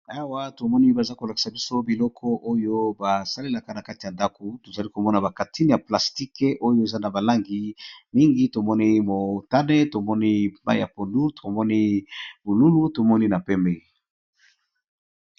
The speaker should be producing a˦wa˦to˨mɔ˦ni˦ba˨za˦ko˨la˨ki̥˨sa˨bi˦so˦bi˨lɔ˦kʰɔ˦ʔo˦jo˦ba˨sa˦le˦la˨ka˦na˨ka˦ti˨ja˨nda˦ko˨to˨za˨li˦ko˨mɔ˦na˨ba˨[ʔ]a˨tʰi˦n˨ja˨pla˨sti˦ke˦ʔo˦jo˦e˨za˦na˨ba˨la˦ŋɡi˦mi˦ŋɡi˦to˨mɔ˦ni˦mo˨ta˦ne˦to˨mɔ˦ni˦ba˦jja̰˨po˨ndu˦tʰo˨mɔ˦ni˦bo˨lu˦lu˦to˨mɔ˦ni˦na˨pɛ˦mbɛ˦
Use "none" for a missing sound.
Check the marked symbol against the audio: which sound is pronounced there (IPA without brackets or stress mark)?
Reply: k